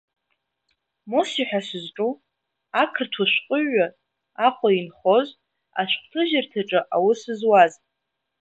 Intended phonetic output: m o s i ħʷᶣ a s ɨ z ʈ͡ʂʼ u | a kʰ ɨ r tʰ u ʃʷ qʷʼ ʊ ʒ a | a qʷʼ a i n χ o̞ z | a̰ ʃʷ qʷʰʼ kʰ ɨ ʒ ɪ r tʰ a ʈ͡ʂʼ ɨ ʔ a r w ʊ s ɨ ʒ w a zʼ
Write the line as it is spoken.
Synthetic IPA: m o s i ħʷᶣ a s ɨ z ʈ͡ʂʼ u | a kʰ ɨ r tʰ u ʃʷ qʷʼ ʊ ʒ a | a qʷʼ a i n χ o̞ z | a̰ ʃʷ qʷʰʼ tʰ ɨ ʒ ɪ r tʰ a ʈ͡ʂʼ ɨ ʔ a w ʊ s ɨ z w a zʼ